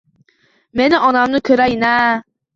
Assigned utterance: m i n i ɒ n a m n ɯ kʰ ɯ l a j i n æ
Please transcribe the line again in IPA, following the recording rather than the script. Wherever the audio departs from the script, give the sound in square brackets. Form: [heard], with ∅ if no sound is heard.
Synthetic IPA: m [e] n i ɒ n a m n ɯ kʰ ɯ [ɾ] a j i n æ